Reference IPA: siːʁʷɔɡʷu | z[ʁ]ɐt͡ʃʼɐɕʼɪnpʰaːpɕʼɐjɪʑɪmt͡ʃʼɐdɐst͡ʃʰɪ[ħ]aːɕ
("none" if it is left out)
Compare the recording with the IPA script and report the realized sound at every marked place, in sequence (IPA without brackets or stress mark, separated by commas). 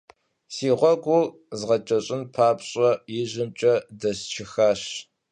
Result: ʁ, x